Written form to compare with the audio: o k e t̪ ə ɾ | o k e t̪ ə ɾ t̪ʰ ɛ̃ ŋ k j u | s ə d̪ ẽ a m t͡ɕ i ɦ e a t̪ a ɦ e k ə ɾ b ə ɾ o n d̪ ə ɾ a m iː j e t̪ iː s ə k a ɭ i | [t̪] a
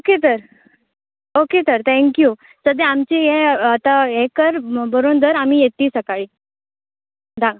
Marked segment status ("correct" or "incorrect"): incorrect